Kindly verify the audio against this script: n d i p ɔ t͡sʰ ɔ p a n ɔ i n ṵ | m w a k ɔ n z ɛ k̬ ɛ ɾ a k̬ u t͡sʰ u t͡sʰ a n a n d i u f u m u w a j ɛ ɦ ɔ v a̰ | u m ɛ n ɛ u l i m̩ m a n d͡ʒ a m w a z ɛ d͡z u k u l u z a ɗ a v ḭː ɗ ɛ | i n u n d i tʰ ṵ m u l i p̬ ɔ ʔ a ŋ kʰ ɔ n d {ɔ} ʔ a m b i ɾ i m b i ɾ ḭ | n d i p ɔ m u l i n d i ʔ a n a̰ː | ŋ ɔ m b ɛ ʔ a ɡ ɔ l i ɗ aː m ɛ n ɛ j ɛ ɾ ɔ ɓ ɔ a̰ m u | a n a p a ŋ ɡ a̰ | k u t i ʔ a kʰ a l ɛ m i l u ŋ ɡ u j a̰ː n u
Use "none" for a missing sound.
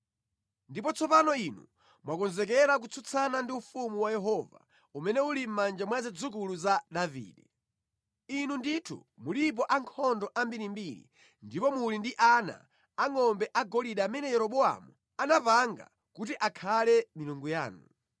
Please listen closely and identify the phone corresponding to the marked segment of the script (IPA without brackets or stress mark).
ɔ